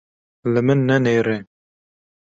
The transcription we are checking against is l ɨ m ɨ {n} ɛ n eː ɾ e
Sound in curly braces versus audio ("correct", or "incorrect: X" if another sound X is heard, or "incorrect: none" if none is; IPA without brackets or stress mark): incorrect: nː